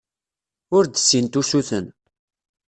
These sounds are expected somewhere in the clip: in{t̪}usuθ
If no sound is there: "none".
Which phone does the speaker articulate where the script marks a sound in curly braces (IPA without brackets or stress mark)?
t̪